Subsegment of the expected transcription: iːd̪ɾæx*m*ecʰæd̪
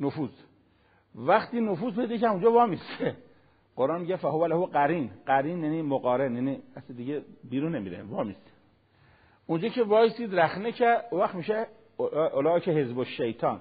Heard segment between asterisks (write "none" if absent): n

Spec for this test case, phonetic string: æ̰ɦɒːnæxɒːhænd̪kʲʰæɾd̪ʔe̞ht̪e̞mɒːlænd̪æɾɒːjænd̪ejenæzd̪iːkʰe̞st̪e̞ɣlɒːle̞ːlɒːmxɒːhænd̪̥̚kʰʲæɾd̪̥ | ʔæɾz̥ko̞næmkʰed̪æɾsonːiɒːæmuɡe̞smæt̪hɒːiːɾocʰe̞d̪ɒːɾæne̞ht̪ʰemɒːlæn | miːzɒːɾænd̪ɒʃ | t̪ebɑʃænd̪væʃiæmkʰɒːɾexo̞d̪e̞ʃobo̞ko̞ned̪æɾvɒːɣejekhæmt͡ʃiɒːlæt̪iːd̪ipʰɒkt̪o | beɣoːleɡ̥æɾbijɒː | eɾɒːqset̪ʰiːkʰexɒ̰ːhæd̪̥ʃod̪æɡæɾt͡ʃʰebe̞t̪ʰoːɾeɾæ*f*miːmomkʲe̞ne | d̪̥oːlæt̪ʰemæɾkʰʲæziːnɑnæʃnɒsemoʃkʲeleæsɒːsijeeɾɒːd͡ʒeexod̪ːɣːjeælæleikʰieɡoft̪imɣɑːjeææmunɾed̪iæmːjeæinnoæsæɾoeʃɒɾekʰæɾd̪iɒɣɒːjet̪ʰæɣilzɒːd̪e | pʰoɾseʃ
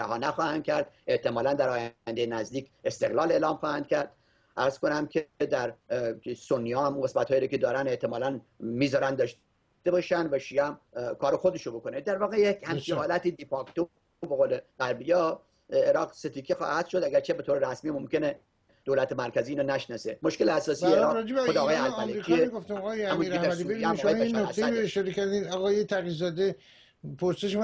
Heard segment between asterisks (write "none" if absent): s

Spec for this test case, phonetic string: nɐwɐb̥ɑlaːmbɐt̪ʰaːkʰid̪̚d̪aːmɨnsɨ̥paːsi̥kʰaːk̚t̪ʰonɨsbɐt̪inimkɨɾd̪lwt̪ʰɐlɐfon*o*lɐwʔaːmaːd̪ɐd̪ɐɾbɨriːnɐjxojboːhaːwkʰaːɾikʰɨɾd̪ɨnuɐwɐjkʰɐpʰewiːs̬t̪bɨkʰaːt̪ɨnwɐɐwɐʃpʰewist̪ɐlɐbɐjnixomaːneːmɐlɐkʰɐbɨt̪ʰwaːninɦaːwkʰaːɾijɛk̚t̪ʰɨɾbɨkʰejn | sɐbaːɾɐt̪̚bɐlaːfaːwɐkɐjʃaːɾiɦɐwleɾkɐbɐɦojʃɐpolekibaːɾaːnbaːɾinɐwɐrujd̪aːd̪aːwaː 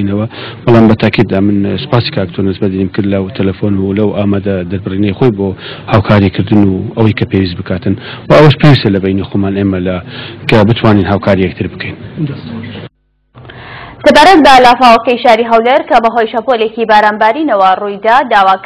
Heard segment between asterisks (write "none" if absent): u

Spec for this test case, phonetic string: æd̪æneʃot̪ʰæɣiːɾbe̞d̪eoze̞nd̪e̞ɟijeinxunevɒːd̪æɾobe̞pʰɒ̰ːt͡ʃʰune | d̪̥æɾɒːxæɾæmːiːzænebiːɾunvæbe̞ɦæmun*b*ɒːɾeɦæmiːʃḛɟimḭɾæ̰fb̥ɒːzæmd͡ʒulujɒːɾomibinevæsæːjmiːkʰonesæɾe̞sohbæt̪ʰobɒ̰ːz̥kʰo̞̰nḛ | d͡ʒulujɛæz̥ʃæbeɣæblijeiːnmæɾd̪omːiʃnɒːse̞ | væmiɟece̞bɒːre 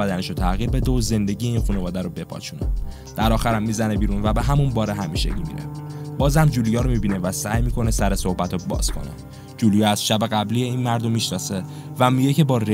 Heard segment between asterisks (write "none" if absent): b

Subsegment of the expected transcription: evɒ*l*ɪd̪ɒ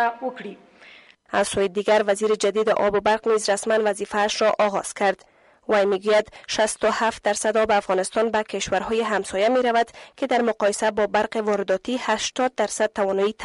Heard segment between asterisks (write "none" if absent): ɾ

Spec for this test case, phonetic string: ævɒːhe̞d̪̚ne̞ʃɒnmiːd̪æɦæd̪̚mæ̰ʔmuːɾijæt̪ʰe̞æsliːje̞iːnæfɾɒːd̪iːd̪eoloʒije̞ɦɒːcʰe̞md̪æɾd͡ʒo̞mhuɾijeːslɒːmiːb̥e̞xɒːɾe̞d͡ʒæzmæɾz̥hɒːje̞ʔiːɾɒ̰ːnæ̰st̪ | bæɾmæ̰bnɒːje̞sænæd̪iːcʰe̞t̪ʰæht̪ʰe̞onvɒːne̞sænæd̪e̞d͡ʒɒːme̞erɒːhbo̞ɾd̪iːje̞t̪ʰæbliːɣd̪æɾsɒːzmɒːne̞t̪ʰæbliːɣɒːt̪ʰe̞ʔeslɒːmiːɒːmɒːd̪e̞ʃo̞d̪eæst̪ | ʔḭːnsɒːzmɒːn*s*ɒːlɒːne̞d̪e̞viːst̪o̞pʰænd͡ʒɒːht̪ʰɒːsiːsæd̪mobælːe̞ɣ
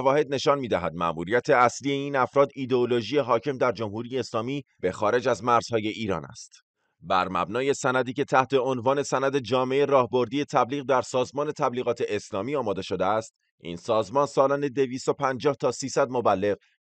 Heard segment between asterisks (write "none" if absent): s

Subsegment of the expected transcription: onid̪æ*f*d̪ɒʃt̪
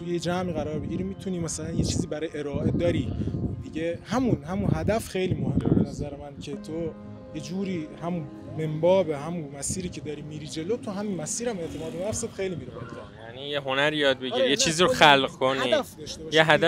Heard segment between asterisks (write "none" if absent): f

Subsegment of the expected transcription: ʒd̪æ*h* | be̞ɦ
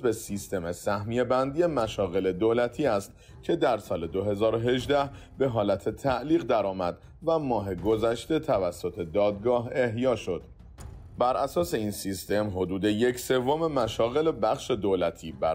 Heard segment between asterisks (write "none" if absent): h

